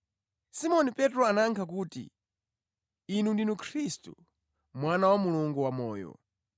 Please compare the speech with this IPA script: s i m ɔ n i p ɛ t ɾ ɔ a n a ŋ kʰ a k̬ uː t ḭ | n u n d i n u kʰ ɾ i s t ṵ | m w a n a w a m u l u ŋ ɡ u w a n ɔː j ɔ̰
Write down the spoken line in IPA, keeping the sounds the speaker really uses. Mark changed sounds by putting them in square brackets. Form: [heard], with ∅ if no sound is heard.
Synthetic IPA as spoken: s i m ɔ n i p ɛ t ɾ ɔ a n a ŋ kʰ a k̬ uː t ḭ | n u n d i n u kʰ ɾ i s t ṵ | m w a n a w a m u l u ŋ ɡ u w a [m] ɔː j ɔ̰